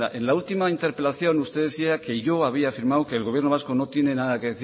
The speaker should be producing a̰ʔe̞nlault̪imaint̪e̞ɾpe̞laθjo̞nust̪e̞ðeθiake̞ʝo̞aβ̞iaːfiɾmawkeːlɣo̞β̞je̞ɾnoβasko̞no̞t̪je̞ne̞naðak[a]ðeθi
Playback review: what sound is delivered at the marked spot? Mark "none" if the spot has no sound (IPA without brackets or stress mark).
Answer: e